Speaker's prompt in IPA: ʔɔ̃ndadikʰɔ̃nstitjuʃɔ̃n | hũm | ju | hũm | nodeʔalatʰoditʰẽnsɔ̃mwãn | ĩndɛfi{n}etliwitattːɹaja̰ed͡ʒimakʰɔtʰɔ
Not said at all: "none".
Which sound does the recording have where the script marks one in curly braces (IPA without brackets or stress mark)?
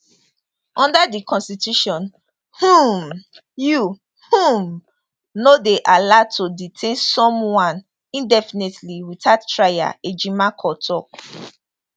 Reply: n